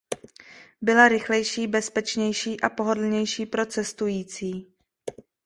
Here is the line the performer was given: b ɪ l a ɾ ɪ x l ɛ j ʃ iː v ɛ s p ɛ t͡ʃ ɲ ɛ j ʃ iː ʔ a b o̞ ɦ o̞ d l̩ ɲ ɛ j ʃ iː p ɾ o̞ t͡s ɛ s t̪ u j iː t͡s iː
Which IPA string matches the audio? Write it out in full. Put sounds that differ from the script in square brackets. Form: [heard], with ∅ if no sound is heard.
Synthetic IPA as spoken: b ɪ l a ɾ ɪ x l ɛ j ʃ iː [b] ɛ s p ɛ t͡ʃ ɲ ɛ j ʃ iː ʔ a [p] o̞ ɦ o̞ d l̩ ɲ ɛ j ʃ iː p ɾ o̞ t͡s ɛ s t̪ u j iː t͡s iː